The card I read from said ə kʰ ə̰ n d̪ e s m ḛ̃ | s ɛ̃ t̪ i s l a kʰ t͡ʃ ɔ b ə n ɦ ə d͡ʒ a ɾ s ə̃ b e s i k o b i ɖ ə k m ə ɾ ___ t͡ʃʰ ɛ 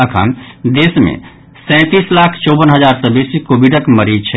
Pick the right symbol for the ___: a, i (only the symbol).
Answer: i